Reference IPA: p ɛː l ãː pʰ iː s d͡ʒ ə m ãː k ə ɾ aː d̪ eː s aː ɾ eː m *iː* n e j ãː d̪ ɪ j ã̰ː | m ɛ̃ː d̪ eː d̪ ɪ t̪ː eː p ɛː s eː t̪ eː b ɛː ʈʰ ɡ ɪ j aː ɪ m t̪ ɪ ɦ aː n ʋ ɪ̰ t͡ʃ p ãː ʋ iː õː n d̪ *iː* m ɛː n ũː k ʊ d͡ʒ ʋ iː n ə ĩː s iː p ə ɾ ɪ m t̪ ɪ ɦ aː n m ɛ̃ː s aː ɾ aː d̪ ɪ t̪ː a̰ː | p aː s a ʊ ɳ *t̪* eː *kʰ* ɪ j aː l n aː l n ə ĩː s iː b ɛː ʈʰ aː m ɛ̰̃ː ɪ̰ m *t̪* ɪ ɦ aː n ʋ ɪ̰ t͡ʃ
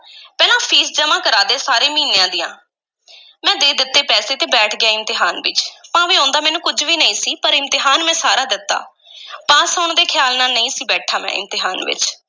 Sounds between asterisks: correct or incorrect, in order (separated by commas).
correct, incorrect, incorrect, correct, correct